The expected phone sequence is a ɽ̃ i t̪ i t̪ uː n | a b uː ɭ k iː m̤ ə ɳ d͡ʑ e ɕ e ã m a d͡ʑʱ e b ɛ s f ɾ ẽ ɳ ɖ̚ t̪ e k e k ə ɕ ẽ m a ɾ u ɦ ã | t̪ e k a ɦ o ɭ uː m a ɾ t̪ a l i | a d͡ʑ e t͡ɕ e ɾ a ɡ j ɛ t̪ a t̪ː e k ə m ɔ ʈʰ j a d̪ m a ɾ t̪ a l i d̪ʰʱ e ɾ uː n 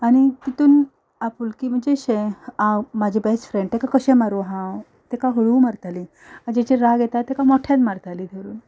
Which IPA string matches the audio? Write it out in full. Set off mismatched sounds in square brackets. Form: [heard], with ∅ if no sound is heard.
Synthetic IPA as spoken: a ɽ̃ i t̪ i t̪ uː n | a [p] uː [l] k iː m̤ ə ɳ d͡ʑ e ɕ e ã m a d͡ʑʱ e b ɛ s f ɾ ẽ ɳ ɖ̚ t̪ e k [a] k ə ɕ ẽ m a ɾ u ɦ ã | t̪ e k a ɦ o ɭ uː m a ɾ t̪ a l i | a d͡ʑ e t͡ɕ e ɾ a ɡ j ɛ t̪ a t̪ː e k [a] m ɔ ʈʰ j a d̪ m a ɾ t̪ a l i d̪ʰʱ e ɾ uː n